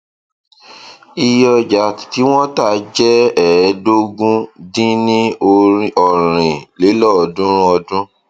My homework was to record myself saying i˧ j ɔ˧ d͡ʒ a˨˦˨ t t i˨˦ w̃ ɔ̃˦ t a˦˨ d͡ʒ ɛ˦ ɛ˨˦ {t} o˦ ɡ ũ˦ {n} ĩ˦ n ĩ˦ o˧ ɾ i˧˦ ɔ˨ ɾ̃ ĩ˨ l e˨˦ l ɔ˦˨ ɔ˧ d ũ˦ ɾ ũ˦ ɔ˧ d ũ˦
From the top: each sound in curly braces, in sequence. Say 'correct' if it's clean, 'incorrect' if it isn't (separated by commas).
incorrect, incorrect